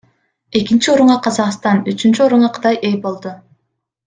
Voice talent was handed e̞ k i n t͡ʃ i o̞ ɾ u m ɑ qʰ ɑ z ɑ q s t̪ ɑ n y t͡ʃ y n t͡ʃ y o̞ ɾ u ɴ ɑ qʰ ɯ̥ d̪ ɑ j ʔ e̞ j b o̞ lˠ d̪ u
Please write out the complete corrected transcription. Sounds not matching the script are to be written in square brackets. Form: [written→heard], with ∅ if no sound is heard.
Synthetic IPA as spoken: e̞ k i n t͡ʃ i o̞ ɾ u [m→ɴ] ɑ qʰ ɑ z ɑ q s t̪ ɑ n y t͡ʃ y n t͡ʃ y o̞ ɾ u ɴ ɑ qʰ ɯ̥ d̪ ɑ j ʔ e̞ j b o̞ lˠ d̪ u